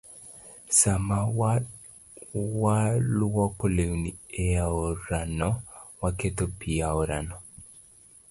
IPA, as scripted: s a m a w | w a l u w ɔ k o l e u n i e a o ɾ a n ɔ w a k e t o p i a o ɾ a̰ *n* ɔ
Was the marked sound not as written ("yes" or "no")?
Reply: no